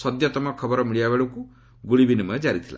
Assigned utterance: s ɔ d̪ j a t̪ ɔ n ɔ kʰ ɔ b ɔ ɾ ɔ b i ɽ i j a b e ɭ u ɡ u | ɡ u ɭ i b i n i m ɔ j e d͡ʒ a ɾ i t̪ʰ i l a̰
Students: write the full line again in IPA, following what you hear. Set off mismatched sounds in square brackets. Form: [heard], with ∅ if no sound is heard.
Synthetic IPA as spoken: s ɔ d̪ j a t̪ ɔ [m] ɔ kʰ ɔ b ɔ ɾ ɔ [m] i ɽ i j a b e ɭ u [k] u | ɡ u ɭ i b i n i m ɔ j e d͡ʒ a ɾ i t̪ʰ i l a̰